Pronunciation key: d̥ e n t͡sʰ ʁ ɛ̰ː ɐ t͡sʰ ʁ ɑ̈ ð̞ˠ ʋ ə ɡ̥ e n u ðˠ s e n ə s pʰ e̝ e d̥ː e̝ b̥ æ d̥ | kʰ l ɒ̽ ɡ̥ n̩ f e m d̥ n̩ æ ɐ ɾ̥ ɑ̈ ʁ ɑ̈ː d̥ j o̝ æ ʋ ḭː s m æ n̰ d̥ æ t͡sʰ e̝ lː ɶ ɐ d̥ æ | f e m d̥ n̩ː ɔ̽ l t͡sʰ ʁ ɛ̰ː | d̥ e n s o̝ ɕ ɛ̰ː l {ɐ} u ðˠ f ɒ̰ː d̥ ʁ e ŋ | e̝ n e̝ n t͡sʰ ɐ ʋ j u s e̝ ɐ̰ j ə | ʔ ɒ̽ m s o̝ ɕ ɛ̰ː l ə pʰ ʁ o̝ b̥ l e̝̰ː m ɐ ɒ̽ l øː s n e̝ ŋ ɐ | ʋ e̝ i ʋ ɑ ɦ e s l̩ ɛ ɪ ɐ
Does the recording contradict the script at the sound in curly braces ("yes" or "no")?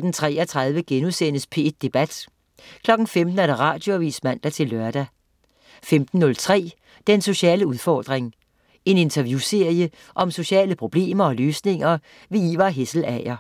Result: yes